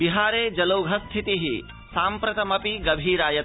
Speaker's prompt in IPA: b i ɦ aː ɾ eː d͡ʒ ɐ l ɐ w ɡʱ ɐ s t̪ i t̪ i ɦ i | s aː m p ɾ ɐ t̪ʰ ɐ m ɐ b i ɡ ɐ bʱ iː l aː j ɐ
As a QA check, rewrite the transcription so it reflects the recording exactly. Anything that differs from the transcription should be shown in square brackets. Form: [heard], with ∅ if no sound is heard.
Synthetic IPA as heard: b i ɦ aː ɾ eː d͡ʒ ɐ l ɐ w ɡʱ ɐ s [t̪ʰ] i t̪ i ɦ i | s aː m p ɾ ɐ [t̪] ɐ m ɐ [p] i ɡ ɐ bʱ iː [ɾ] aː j ɐ